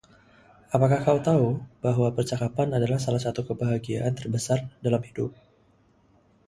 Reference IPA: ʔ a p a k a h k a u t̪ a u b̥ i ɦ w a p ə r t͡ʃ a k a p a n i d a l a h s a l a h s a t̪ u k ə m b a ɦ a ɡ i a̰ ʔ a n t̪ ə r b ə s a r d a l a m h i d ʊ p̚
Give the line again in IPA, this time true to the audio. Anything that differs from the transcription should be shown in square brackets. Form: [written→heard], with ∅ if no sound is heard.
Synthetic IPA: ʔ a p a k a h k a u t̪ a u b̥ [i→a] ɦ w a p ə r t͡ʃ a k a p a n [i→a] d a l a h s a l a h s a t̪ u k ə [m→∅] b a ɦ a ɡ i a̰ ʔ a n t̪ ə r b ə s a r d a l a m h i d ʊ p̚